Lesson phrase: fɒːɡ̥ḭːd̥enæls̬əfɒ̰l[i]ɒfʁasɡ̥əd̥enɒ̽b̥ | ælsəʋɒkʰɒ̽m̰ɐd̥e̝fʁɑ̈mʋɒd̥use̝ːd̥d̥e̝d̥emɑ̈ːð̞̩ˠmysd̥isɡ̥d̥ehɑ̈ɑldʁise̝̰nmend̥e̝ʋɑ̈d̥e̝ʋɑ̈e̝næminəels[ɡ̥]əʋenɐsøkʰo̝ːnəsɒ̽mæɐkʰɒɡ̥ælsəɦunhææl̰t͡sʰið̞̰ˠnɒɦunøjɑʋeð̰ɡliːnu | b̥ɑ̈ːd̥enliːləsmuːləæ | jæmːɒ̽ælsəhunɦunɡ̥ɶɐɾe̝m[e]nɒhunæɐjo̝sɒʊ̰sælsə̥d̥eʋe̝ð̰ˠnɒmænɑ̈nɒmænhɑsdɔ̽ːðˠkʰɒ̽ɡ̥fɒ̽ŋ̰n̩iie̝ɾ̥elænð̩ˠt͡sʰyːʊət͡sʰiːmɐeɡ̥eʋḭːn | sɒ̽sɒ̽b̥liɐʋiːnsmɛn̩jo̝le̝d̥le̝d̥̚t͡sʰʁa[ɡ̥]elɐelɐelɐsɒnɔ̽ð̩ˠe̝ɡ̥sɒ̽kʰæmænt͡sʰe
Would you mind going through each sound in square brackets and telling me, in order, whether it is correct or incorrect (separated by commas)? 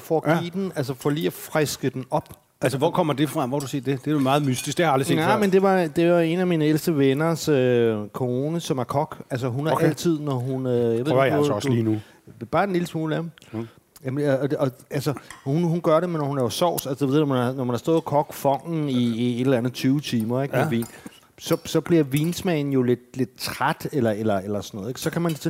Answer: incorrect, incorrect, correct, incorrect